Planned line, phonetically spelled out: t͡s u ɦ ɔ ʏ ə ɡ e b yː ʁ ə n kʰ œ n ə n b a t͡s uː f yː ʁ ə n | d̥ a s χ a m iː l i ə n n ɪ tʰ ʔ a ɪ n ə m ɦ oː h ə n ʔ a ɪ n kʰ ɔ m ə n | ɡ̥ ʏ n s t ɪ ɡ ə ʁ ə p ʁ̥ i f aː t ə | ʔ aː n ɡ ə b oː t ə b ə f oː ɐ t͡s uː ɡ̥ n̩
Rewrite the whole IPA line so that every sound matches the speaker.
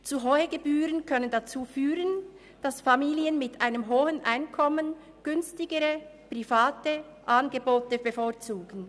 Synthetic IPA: t͡s u ɦ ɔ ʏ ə ɡ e b yː ʁ ə n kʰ œ n ə n d a t͡s uː f yː ʁ ə n | d̥ a s f a m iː l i ə n m ɪ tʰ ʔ a ɪ n ə m ɦ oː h ə n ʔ a ɪ n kʰ ɔ m ə n | ɡ̥ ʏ n s t ɪ ɡ ə ʁ ə p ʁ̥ i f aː t ə | ʔ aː n ɡ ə b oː t ə b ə f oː ɐ t͡s uː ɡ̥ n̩